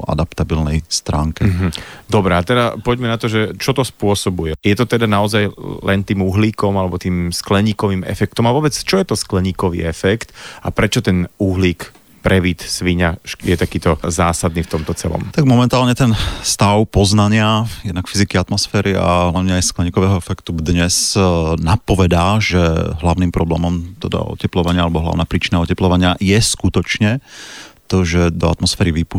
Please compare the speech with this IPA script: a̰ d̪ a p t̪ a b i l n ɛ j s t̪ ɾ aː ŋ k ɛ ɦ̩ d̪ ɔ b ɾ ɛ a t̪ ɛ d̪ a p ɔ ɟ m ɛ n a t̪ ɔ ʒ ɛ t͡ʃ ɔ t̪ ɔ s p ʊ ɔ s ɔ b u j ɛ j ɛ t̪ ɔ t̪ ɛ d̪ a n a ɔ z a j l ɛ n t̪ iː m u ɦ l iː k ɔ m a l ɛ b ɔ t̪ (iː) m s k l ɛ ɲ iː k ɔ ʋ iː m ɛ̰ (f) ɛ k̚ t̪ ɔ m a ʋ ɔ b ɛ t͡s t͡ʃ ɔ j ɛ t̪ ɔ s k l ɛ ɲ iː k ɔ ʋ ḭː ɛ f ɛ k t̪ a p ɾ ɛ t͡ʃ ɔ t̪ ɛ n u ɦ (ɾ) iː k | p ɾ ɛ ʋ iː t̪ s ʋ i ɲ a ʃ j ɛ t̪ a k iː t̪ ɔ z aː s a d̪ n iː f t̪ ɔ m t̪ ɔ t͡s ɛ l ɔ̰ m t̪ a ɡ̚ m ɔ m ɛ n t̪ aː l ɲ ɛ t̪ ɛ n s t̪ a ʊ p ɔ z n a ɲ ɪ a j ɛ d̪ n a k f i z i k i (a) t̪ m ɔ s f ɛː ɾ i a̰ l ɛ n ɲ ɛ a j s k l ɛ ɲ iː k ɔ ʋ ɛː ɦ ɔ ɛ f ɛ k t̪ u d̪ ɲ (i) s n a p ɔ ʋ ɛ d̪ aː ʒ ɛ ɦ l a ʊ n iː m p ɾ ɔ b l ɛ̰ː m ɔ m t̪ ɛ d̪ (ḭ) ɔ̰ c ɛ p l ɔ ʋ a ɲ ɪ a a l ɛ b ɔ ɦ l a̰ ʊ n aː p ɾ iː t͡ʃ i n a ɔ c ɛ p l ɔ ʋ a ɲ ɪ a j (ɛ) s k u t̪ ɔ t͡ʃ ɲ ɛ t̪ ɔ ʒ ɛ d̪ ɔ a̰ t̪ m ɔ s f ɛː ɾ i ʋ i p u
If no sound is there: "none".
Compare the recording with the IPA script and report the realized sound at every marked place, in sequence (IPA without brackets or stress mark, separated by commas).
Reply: iː, f, l, a, ɛ, a̰, ɛ